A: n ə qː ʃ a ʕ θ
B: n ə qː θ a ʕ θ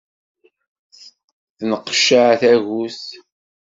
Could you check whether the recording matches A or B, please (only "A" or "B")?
A